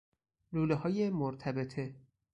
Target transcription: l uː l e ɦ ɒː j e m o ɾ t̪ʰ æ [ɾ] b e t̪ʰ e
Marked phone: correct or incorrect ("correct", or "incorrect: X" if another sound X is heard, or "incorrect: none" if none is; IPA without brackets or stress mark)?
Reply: incorrect: none